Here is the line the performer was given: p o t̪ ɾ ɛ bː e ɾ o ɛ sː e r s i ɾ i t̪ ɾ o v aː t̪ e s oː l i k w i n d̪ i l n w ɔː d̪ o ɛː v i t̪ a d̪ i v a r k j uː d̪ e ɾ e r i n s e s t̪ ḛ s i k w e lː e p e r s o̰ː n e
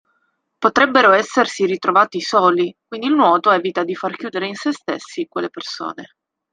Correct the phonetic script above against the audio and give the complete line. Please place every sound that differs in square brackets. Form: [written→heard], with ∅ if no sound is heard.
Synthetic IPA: p o t̪ ɾ ɛ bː e ɾ o ɛ sː e r s i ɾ i t̪ ɾ o v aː t̪ [e→i] s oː l i k w i n d̪ i l n w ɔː [d̪→t̪] o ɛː v i t̪ a d̪ i [v→f] a r k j uː d̪ e ɾ e [r→∅] i n s e s t̪ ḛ [s→sː] i k w e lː e p e r s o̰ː n e